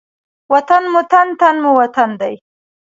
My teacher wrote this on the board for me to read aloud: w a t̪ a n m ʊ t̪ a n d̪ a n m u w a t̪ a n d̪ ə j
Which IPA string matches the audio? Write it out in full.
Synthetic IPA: w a t̪ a n m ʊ t̪ a n t̪ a n m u w a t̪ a n d̪ a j